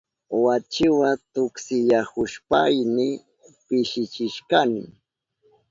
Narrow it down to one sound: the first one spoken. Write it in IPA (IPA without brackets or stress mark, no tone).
w